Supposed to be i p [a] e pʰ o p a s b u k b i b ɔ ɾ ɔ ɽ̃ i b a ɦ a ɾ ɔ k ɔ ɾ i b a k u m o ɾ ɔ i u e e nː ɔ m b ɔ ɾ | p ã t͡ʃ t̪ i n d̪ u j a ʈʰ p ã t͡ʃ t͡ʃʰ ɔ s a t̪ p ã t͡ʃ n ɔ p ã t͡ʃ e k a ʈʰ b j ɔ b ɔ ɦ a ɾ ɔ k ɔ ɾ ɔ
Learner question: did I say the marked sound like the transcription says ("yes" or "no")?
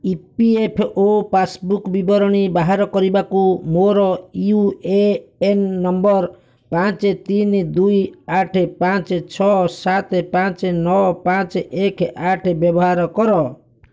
no